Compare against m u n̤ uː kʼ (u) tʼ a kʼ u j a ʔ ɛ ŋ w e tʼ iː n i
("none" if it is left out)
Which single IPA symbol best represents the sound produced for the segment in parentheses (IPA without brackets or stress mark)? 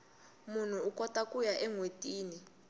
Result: ɔ